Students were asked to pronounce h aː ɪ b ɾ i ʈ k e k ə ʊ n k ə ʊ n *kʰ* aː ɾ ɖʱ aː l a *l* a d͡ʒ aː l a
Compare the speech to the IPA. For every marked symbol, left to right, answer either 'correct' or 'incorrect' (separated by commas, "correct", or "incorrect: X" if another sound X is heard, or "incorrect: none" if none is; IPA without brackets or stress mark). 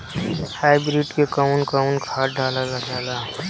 correct, correct